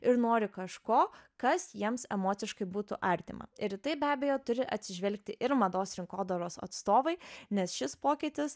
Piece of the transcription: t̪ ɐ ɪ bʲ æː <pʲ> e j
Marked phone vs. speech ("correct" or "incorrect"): incorrect